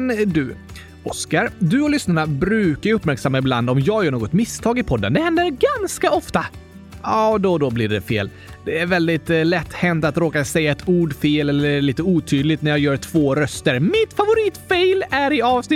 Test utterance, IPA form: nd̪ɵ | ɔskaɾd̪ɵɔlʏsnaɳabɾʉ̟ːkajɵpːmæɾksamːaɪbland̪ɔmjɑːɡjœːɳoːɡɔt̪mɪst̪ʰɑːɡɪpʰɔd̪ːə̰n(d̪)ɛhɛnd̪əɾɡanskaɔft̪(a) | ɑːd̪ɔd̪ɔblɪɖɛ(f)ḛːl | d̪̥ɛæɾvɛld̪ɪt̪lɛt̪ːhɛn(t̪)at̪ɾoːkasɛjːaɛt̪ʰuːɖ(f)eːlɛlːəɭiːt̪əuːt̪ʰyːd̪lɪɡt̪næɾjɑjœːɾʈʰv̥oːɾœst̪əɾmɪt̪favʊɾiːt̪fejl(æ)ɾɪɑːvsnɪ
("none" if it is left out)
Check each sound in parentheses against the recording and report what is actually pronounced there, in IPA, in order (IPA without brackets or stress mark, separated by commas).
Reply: d̪, a, f, t̪, f, æ